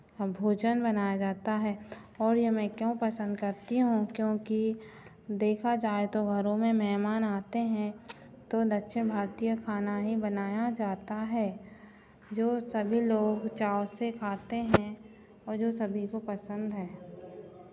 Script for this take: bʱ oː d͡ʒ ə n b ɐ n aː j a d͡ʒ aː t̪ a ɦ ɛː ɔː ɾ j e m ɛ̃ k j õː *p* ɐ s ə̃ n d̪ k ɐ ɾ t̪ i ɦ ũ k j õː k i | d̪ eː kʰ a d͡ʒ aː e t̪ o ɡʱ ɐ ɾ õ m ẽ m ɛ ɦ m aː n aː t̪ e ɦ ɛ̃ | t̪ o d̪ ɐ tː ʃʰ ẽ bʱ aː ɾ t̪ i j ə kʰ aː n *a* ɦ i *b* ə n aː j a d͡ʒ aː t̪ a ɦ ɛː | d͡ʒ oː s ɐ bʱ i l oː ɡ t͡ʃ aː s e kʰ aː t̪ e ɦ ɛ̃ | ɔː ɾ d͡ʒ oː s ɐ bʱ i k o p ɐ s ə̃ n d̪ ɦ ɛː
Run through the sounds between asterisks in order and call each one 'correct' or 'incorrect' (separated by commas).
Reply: correct, correct, correct